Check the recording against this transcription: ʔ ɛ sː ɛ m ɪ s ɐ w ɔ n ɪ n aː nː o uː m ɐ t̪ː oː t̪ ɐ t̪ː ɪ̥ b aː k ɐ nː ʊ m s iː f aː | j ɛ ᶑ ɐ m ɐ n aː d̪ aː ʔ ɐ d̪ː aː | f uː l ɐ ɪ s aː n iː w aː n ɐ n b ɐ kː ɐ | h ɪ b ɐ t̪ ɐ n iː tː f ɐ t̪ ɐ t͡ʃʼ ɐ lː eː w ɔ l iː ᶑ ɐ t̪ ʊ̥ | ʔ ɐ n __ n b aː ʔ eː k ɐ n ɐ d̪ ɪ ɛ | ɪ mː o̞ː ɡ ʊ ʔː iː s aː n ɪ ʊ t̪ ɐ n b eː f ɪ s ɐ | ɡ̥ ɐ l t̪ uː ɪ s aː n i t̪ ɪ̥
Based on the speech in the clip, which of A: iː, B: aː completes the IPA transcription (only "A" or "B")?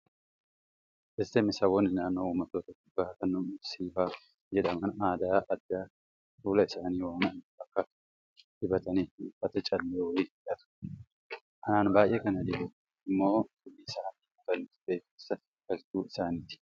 B